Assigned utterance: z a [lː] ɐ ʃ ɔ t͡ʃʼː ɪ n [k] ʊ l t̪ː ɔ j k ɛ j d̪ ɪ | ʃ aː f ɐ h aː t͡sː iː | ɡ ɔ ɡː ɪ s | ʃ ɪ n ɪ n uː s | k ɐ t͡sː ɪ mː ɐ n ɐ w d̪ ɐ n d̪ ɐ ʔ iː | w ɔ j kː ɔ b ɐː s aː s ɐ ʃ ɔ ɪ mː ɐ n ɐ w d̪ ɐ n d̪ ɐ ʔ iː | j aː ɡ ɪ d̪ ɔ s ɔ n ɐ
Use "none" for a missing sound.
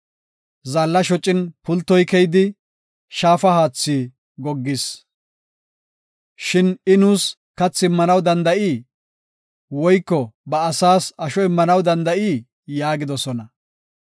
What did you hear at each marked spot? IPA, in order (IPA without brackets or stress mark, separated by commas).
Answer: lː, p